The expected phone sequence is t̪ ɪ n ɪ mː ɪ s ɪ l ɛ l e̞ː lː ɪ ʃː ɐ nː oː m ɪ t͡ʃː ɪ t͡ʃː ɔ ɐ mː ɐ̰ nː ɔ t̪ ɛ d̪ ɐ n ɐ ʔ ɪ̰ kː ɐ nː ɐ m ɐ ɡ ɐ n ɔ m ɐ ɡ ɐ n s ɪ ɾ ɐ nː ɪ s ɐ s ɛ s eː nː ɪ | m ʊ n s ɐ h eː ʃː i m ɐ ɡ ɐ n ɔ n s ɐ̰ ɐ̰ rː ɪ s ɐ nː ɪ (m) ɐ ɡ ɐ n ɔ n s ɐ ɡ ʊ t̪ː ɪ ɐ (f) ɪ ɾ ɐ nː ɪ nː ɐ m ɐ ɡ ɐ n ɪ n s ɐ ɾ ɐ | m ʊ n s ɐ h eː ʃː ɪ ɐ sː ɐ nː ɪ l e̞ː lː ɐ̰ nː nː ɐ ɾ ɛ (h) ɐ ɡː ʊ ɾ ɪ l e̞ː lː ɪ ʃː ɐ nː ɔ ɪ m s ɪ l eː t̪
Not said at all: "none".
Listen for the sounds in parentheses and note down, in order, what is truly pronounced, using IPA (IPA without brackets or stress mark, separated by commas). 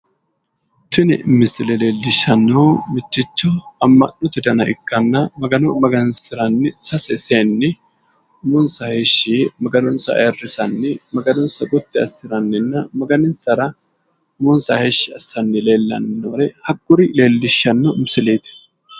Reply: m, s, h